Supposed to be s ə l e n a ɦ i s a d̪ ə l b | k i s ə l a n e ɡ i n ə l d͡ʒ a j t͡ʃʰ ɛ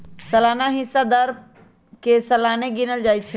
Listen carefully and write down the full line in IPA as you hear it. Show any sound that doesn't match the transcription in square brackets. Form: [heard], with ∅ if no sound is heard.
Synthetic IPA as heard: s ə l [a] n a ɦ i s a d̪ ə [ɾ] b | k [e] s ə l a n e ɡ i n ə l d͡ʒ a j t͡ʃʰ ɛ